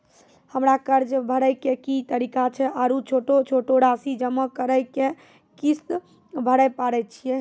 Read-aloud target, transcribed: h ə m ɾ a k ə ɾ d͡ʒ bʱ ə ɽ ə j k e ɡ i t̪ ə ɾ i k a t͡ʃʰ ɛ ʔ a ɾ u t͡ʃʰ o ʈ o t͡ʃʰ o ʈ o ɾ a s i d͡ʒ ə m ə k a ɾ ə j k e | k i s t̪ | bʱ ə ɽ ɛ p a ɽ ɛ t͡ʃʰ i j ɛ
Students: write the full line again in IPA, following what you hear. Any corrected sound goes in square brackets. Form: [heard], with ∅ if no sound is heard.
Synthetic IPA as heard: h ə m ɾ a k ə ɾ d͡ʒ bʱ ə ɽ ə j k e [k] i t̪ ə ɾ i k a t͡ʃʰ ɛ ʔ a ɾ u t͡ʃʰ o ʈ o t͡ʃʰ o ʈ o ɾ a s i d͡ʒ ə m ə k [ə] ɾ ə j k e | k i s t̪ | bʱ ə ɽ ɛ p a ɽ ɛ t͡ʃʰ i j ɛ